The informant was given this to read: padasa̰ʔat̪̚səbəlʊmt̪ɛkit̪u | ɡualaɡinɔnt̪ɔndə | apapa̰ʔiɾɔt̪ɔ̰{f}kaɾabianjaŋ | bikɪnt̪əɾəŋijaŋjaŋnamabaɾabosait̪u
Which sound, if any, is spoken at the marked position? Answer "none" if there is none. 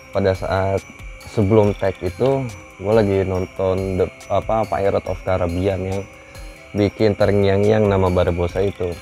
f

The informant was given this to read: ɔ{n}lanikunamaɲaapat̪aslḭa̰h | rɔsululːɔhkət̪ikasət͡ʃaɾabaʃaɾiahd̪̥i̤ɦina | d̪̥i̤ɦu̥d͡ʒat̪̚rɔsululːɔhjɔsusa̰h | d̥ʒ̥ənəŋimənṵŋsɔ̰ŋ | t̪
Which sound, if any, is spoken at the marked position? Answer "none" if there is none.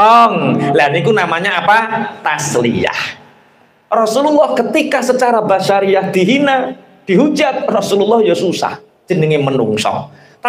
ŋ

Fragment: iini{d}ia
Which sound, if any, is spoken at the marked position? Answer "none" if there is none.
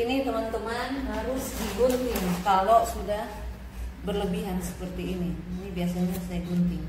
b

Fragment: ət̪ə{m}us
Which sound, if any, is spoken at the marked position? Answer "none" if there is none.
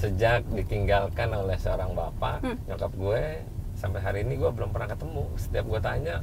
m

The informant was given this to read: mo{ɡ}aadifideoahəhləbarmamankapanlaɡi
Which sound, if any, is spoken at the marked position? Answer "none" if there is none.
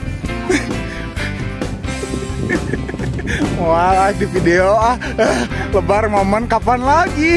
none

